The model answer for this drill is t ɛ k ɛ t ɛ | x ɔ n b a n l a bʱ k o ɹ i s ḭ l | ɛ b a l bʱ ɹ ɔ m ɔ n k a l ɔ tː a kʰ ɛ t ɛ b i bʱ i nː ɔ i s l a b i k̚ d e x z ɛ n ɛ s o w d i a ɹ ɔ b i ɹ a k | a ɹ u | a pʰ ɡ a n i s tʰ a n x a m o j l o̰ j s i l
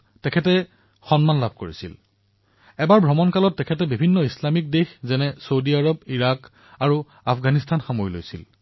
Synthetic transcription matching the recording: t ɛ kʰ ɛ t ɛ | x ɔ n m a n l a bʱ k o ɹ i s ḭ l | ɛ b a ɹ bʱ ɹ ɔ m ɔ n k a l ɔ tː ɛ kʰ ɛ t ɛ b i bʱ i nː ɔ i s l a m i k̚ d e x z ɛ n ɛ s o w d i a ɹ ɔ b i ɹ a k | a ɹ u | a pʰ ɡ a n i s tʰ a n x a m o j l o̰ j s i l

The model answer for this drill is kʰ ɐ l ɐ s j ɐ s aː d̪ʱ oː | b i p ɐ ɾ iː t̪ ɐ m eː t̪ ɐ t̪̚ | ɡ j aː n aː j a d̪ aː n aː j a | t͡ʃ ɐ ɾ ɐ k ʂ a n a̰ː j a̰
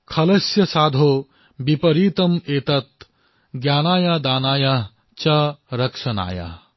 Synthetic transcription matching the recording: kʰ ɐ l ɐ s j ɐ s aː d̪ʱ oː | b i p ɐ ɾ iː t̪ ɐ m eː t̪ ɐ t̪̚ | ɡ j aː n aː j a d̪ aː n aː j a | t͡ʃ ɐ ɾ ɐ k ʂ ɐ n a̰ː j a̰

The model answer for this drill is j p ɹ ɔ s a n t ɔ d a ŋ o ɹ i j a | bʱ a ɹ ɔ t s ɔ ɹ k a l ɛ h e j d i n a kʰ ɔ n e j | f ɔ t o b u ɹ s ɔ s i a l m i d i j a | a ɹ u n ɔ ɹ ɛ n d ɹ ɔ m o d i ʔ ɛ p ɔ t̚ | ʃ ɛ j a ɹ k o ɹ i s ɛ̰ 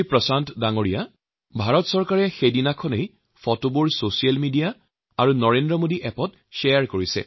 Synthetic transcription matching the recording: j p ɹ ɔ s a n t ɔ d a ŋ o ɹ i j a | bʱ a ɹ ɔ t s ɔ ɹ k a ɹ ɛ x e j d i n a kʰ ɔ n e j | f ɔ t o b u ɹ s o s i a l m i d i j a | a ɹ u n ɔ ɹ e n d ɹ ɔ m o d i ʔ ɛ p ɔ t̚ | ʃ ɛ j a ɹ k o ɹ i s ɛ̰

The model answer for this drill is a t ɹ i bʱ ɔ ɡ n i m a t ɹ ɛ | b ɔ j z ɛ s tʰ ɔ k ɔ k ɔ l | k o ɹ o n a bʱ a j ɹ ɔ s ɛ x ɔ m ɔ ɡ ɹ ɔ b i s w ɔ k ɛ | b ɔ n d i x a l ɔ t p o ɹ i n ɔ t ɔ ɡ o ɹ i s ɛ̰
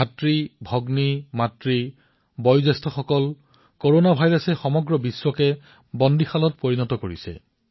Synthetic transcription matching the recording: a t ɹ i bʱ ɔ ɡ n i m a t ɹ i | b ɔ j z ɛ s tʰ ɔ x ɔ k ɔ l | k o ɹ o n a bʱ a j ɹ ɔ s ɛ x ɔ m ɔ ɡ ɹ ɔ b i s w ɔ k ɛ | b ɔ n d i x a l ɔ t p o ɹ i n ɔ t ɔ k o ɹ i s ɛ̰

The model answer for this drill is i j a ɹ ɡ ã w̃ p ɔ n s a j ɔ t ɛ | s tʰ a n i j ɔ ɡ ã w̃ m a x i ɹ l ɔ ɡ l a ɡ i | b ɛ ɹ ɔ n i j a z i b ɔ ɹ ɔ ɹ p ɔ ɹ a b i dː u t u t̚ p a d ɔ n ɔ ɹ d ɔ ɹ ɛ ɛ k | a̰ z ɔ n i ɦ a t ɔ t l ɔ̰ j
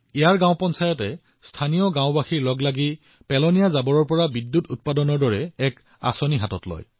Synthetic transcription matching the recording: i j a ɹ ɡ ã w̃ p ɔ n s a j ɔ t ɛ | s tʰ a n i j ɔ ɡ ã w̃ b a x i ɹ l ɔ ɡ l a ɡ i | p ɛ l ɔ n i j a z a b ɔ ɹ ɔ ɹ p ɔ ɹ a b i dː u t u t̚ p a d ɔ n ɔ ɹ d ɔ ɹ ɛ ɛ k | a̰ s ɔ n i ɦ a t ɔ t l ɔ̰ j

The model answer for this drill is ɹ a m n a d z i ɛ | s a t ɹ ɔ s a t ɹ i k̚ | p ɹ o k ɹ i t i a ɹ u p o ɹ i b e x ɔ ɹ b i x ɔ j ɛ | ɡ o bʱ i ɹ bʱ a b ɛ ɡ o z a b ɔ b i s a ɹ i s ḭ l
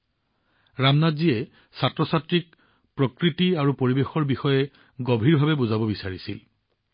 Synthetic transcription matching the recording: ɹ a m n a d z i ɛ | s a t ɹ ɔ s a t ɹ i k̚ | p ɹ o k ɹ i t i a ɹ u p o ɹ i b e x ɔ ɹ b i x ɔ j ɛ | ɡ o bʱ i ɹ bʱ a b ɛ b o z a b ɔ b i s a ɹ i s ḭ l

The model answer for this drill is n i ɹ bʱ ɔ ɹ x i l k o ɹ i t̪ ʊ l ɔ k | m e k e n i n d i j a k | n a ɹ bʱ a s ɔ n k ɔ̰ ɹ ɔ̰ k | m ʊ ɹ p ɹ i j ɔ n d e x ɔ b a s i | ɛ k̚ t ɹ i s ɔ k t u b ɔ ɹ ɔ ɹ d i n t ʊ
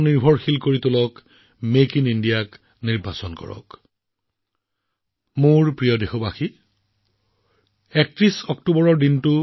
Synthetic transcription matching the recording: n i ɹ bʱ ɔ ɹ x i l k o ɹ i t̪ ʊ l ɔ k | m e k i n i n d i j a k | n i ɹ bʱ a s ɔ n k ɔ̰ ɹ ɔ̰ k | m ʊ ɹ p ɹ i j ɔ d e x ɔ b a x i | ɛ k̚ t ɹ i s ɔ k t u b ɔ ɹ ɔ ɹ d i n t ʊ

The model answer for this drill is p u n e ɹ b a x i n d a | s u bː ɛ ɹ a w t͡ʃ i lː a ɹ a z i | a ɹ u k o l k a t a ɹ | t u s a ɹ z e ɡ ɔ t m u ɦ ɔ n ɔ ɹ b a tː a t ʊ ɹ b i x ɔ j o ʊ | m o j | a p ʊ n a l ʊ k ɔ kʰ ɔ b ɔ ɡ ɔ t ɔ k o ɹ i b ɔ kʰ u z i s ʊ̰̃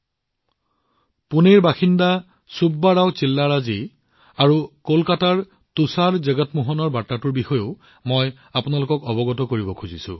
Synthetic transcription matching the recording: p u n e ɹ b a x i n d a | s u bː a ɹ a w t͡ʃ i lː a ɹ a z i | a ɹ u k o l k a t a ɹ | t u s a ɹ z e ɡ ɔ t m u ɦ ɔ n ɔ ɹ b a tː a t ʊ ɹ b i x ɔ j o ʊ | m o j | a p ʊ n a l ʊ k ɔ k ɔ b ɔ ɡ ɔ t ɔ k o ɹ i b ɔ kʰ u z i s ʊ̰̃

